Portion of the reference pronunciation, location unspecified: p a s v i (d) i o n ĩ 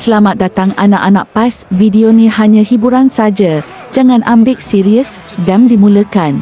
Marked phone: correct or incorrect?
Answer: correct